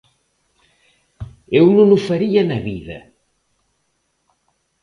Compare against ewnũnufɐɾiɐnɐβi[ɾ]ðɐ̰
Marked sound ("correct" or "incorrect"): incorrect